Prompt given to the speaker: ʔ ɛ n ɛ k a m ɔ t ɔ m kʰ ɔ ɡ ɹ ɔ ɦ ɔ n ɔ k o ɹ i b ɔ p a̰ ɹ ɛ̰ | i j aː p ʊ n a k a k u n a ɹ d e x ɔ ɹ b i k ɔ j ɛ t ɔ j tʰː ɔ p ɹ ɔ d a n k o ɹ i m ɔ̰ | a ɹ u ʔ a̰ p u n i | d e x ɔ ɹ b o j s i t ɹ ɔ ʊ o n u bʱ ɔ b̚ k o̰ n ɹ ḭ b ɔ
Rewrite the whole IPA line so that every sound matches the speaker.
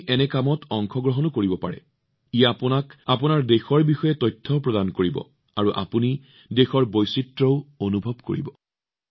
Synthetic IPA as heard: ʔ ɛ n ɛ k a m ɔ t ɔ ŋ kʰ ɔ ɡ ɹ ɔ ɦ ɔ n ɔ k o ɹ i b ɔ p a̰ ɹ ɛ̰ | i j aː p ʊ n a k a p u n a ɹ d e x ɔ ɹ b i x ɔ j ɛ t ɔ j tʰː ɔ p ɹ ɔ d a n k o ɹ i b ɔ̰ | a ɹ u ʔ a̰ p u n i | d e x ɔ ɹ b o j s i t ɹ ɔ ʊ o n u bʱ ɔ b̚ k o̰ ɹ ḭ b ɔ